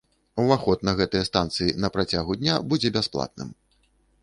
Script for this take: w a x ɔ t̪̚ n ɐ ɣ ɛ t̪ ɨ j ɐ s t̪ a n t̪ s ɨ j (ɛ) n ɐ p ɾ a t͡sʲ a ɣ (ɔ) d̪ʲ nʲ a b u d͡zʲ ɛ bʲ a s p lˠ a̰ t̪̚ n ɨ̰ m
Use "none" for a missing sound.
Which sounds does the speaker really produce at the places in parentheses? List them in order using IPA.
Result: i, u

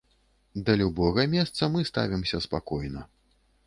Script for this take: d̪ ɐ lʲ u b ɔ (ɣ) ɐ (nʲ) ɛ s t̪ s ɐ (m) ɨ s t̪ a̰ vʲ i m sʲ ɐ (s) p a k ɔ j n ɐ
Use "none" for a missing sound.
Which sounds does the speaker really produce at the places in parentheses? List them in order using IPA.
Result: ɣ, mʲ, m, s

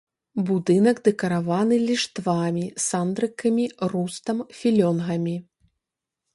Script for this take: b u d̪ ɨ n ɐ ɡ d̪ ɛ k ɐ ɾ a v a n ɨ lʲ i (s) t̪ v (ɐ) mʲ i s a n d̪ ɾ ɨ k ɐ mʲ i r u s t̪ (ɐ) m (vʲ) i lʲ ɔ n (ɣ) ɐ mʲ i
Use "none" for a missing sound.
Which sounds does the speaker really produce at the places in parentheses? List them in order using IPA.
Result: ʂ, a, ɐ, fʲ, ɣ

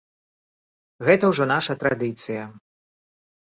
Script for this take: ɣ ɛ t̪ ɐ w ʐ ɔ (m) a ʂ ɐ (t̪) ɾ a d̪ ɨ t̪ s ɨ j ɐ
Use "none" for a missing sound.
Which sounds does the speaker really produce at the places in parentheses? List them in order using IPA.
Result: n, t̪

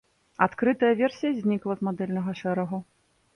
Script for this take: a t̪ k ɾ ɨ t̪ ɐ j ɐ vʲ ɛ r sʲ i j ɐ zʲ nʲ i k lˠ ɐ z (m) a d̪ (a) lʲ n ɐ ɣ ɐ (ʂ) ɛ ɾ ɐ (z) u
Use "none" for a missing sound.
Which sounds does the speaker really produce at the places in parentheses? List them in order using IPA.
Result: m, ɛ, ʂ, ɣ

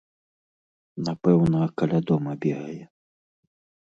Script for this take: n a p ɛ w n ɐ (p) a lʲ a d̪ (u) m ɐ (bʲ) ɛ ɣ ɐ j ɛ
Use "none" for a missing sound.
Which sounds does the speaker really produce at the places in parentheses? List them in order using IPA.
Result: k, ɔ, bʲ

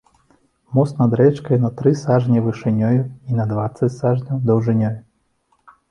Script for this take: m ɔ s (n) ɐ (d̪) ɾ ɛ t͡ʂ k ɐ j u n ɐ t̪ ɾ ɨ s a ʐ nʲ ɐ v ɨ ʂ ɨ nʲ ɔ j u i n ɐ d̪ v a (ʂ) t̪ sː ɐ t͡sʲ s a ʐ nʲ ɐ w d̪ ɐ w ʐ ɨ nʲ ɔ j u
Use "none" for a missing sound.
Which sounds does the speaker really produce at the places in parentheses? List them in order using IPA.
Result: n, d̪, none

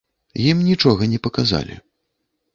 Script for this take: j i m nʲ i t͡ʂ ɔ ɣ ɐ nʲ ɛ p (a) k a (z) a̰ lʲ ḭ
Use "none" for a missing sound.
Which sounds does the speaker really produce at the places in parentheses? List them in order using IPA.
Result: ɐ, z

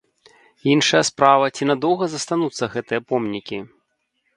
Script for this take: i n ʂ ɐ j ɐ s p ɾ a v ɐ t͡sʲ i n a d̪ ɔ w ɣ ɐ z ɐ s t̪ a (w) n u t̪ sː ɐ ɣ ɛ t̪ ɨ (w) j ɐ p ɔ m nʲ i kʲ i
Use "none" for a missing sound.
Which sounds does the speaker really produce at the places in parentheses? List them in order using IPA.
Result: none, none

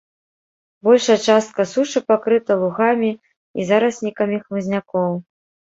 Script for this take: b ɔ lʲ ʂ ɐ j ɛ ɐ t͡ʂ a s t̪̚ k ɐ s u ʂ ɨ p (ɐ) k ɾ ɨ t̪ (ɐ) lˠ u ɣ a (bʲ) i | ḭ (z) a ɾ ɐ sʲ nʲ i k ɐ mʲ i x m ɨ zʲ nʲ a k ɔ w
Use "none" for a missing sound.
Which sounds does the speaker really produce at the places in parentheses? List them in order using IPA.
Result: a, ɐ, mʲ, z

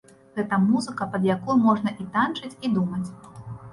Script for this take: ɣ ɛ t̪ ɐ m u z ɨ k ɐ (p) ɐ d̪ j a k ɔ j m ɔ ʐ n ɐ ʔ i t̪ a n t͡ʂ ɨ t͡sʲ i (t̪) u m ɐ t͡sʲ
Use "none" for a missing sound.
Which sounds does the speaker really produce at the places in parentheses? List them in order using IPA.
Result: p, d̪

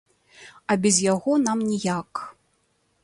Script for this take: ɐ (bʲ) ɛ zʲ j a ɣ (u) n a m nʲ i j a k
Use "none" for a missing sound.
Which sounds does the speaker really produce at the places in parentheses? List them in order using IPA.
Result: bʲ, ɔ

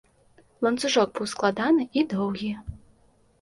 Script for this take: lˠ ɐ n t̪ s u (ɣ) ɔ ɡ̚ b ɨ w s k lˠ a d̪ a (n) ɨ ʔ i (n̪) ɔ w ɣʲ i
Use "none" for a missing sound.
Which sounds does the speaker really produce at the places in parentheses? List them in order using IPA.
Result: ʐ, n, d̪

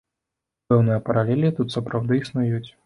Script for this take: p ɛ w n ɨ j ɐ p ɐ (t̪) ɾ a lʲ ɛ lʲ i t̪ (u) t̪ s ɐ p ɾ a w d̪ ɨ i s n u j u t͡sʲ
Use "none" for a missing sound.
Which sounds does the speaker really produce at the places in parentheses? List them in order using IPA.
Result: none, u

